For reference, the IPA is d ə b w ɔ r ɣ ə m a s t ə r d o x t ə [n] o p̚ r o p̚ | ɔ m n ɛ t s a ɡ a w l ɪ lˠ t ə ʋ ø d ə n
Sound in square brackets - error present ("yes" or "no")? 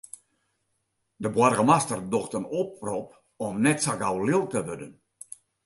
no